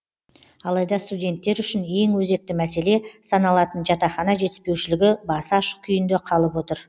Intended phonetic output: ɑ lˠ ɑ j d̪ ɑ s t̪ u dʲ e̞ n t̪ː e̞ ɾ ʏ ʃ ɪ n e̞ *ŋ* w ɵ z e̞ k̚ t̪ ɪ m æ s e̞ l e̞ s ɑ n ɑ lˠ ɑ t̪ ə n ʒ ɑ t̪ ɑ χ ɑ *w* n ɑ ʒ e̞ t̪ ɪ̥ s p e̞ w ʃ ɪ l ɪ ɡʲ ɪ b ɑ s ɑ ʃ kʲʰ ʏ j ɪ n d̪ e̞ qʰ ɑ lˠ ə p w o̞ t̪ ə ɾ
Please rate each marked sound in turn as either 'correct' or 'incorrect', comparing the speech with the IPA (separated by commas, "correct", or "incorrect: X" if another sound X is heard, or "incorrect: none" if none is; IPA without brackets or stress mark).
correct, incorrect: none